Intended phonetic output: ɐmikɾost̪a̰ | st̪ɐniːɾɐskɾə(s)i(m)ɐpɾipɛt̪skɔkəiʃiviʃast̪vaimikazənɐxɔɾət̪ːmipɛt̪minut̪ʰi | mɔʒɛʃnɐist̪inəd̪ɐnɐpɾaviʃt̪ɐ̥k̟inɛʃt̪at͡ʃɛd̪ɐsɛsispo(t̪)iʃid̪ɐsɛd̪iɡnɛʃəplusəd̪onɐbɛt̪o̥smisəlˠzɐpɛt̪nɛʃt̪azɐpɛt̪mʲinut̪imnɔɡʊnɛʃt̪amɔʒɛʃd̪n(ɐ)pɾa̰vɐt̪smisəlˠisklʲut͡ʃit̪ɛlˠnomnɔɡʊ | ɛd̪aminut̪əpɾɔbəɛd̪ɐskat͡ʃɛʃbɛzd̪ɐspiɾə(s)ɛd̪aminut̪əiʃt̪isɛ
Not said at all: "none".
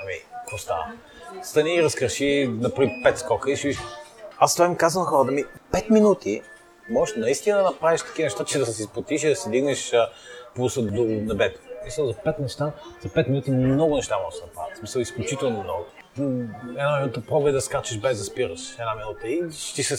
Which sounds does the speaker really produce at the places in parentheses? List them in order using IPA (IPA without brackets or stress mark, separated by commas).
ʃ, n, t̪, ɐ, ʃ